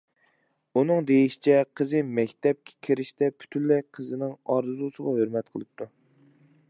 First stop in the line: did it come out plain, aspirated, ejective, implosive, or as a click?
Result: plain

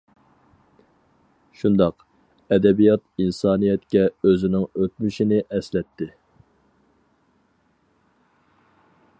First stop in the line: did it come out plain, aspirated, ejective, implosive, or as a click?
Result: plain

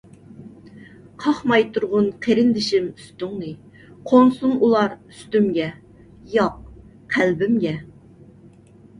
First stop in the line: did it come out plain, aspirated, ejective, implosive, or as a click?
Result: aspirated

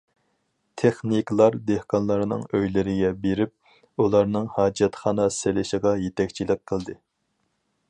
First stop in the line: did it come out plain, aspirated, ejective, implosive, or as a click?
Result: aspirated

